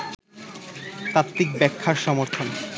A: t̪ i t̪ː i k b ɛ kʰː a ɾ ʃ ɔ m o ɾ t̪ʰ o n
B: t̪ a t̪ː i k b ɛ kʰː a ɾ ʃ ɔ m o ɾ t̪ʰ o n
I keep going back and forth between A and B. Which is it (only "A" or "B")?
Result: B